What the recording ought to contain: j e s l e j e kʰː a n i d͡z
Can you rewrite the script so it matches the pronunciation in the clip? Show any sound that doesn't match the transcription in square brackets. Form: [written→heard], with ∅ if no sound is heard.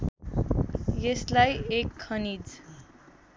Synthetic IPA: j e s l [e→a] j e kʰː [a→ʌ] n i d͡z